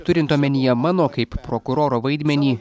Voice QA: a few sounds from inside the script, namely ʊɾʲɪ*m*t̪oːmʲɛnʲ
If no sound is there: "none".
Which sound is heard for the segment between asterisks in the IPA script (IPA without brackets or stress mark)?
n